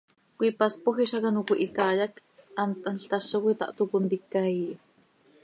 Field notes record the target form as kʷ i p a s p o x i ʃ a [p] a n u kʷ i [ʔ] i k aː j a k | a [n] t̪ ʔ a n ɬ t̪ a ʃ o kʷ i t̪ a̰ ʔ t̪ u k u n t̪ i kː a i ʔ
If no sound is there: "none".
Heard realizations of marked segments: k, ʔ, n

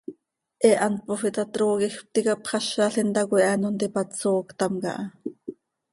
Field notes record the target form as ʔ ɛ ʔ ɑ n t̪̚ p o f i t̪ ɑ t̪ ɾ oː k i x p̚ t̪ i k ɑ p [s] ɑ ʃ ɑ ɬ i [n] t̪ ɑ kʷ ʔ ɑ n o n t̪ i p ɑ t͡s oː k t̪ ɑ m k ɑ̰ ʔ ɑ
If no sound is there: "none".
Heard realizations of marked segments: χ, n

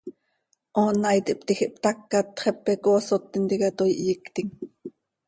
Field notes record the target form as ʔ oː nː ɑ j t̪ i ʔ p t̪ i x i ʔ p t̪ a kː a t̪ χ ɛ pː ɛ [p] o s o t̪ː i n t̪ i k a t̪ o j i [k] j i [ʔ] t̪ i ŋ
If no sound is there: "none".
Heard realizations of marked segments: k, ʔ, k

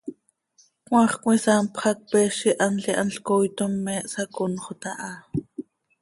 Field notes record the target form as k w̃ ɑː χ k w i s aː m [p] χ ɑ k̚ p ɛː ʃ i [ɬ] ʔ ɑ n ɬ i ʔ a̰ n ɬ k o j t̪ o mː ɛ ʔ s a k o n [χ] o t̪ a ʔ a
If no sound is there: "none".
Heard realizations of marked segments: p, none, χ

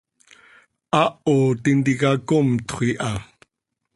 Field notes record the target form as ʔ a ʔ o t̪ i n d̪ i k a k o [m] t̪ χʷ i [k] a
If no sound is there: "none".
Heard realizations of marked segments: m, ʔ

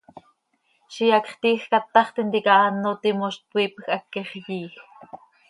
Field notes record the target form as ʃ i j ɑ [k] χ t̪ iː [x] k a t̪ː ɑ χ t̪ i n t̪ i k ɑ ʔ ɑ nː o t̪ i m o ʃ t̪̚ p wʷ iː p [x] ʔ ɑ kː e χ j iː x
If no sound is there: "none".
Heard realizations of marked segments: k, x, x

